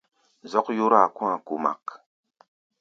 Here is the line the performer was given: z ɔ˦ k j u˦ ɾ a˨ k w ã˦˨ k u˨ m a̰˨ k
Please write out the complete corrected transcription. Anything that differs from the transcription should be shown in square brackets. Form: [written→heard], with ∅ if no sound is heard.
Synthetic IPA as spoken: z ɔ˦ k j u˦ ɾ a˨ k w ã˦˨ k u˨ m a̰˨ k